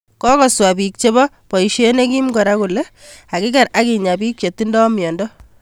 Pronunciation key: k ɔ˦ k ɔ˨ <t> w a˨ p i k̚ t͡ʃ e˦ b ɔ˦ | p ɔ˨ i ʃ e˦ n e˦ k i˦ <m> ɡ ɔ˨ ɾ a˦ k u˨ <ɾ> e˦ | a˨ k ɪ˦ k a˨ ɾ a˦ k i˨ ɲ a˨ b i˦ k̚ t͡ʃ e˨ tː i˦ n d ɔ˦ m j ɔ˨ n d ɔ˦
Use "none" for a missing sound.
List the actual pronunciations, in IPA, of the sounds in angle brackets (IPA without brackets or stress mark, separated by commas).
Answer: s, m, l